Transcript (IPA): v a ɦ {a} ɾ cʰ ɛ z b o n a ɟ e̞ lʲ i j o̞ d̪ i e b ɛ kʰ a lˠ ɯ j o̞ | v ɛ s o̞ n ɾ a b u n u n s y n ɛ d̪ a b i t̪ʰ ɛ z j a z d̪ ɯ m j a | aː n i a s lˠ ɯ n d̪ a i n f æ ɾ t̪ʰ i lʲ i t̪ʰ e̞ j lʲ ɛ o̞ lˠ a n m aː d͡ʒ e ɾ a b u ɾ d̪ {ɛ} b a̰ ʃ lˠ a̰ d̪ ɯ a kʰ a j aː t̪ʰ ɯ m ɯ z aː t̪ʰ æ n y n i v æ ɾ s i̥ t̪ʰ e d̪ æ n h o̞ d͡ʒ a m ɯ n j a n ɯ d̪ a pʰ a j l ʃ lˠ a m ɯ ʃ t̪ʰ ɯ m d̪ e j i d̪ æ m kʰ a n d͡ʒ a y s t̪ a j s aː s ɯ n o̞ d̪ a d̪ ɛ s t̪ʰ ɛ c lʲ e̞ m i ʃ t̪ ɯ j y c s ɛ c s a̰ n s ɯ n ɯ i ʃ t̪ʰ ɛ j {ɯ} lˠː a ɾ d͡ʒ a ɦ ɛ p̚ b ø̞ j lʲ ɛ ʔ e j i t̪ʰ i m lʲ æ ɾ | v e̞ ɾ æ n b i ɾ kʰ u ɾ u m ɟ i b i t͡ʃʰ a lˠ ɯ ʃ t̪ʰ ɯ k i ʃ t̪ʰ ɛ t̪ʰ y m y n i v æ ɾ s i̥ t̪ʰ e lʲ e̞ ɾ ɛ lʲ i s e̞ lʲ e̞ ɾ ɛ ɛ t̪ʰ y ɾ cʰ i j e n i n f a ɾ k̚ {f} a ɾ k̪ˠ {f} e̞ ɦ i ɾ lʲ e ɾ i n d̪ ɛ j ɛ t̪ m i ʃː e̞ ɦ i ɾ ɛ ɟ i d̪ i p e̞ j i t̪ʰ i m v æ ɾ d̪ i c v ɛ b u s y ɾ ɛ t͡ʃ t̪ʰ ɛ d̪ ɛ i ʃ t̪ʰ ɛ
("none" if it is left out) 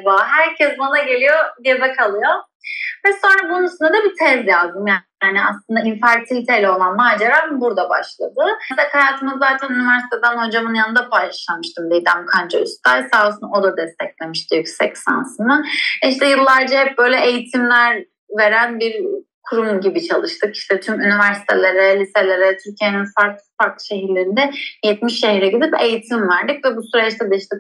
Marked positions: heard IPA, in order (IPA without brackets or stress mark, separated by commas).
æ, a, ɯ, f, ʃ